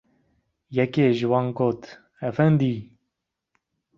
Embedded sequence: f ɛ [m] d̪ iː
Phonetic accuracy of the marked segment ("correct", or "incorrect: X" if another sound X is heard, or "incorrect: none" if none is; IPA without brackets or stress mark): incorrect: n